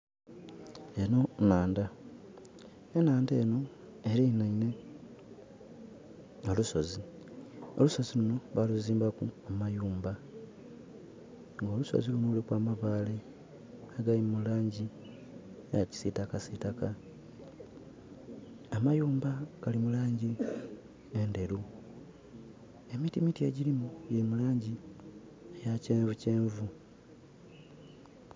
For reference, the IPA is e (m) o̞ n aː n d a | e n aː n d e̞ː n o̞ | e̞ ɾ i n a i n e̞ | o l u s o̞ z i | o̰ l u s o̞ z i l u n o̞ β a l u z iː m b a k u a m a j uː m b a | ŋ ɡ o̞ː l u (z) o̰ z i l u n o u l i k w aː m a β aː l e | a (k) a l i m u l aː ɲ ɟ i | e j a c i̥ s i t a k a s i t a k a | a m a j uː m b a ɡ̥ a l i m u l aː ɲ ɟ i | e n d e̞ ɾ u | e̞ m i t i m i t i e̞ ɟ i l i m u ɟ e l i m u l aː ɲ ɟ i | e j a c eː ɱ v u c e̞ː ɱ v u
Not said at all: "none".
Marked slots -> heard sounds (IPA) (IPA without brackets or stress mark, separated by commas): n, s, ɡ